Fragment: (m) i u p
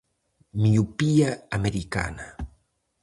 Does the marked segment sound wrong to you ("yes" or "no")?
no